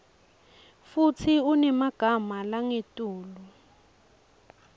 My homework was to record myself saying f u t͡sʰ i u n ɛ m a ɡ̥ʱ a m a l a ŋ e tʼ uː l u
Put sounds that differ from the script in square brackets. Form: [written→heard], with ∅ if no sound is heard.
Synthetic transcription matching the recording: f u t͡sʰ i u n ɛ m a ɡ̥ʱ a m a l a ŋ e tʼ uː l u